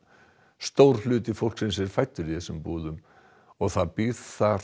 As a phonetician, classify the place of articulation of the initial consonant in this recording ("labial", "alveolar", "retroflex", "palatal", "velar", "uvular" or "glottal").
alveolar